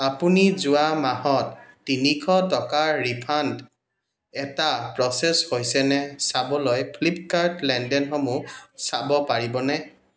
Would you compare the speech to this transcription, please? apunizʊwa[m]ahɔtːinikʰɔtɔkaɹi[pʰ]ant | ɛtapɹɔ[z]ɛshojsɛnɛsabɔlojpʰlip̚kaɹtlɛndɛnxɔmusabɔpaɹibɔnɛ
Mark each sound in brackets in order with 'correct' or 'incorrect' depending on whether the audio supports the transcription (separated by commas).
correct, correct, incorrect